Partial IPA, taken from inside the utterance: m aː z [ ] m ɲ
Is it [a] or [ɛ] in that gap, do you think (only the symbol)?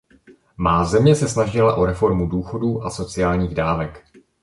ɛ